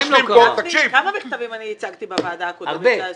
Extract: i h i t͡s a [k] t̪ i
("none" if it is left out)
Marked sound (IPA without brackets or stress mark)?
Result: ɡ